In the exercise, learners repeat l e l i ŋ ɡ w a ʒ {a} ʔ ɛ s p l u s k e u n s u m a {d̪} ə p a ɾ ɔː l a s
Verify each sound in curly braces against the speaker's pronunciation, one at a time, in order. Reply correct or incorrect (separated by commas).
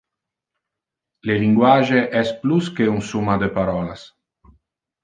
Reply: incorrect, correct